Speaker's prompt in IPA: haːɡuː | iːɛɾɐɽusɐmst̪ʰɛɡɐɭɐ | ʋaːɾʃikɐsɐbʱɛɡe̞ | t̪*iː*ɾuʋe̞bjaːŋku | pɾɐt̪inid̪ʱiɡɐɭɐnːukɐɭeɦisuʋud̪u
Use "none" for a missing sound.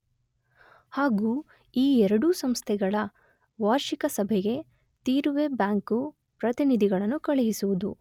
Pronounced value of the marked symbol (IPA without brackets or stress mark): iː